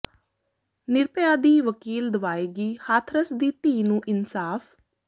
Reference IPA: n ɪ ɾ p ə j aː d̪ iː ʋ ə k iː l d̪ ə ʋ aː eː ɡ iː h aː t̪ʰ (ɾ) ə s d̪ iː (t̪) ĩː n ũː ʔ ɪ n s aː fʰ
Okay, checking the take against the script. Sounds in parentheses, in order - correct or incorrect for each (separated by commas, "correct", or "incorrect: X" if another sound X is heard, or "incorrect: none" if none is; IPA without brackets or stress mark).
correct, correct